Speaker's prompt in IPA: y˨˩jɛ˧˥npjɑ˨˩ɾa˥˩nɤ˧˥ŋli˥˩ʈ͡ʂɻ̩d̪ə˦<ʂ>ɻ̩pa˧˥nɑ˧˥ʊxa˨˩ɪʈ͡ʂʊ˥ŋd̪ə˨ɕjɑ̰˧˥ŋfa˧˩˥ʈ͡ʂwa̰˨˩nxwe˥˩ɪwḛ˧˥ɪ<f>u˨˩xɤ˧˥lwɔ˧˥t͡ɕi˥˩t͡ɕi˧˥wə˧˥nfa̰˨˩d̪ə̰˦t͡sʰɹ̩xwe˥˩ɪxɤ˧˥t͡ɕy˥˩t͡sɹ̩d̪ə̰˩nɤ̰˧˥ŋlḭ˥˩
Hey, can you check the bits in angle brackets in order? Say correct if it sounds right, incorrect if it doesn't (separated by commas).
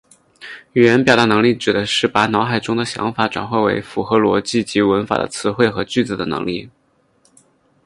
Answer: correct, correct